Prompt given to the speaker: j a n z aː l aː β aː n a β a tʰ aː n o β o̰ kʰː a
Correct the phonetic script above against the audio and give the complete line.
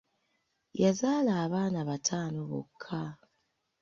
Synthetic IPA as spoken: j a z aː l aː β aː n a β a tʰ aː n o β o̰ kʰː a